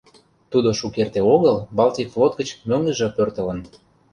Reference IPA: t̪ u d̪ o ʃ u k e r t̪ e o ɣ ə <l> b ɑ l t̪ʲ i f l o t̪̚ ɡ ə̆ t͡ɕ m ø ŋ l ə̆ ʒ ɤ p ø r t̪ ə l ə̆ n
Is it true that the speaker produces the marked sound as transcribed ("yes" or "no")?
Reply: yes